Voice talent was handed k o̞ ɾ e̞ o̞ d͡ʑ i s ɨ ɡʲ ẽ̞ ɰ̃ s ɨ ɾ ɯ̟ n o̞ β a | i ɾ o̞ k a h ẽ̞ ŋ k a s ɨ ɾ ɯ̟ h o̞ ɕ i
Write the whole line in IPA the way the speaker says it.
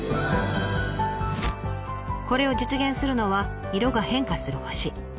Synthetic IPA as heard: k o̞ ɾ e̞ o̞ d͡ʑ i t͡s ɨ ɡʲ ẽ̞ ɰ̃ s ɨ ɾ ɯ̟ n o̞ β a | i ɾ o̞ ɡ a h ẽ̞ ŋ k a s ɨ ɾ ɯ̟ h o̞ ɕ i